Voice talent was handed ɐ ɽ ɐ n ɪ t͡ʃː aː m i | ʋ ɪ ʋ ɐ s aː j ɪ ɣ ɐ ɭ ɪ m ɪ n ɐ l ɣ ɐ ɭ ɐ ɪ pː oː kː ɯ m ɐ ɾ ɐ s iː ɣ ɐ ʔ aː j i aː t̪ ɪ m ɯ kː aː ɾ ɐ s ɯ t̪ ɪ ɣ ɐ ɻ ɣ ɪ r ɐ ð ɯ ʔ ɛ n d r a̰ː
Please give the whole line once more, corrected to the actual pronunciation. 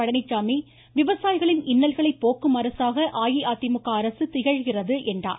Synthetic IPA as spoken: ɐ ɽ ɐ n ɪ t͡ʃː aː m i | ʋ ɪ ʋ ɐ s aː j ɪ ɣ ɐ ɭ ɪ n ɪ nː ɐ l ɣ ɐ ɭ ɐ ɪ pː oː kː ɯ m ɐ ɾ ɐ s aː ɣ ɐ ʔ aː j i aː t̪ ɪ m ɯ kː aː ɾ ɐ s ɯ t̪ ɪ ɣ ɐ ɻ ɣ ɪ r ɐ ð ɯ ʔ ɛ n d r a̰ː